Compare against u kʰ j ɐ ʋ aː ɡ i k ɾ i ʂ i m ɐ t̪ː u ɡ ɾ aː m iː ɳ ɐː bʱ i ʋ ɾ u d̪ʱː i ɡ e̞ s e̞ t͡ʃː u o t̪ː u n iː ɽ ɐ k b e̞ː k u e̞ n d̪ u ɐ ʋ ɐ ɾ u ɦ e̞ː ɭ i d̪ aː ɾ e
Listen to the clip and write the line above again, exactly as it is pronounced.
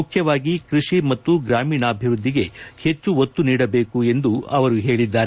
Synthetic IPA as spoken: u kʰ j ɐ ʋ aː ɡ i k ɾ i ʂ i m ɐ t̪ː u ɡ ɾ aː m iː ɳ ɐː bʱ i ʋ ɾ u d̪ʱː i ɡ e̞ h e̞ t͡ʃː u o t̪ː u n iː ɽ ɐ b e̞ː k u e̞ n d̪ u ɐ ʋ ɐ ɾ u ɦ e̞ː ɭ i d̪ː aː ɾ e